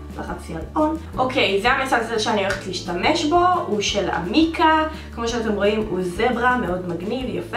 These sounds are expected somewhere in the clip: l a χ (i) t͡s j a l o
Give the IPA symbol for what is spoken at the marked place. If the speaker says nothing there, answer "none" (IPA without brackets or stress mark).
a